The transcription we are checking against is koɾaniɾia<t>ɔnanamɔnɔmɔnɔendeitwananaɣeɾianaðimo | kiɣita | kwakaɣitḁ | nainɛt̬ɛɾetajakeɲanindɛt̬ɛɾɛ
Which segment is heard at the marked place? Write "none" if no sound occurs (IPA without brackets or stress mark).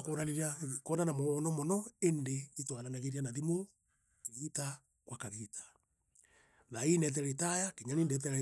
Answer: k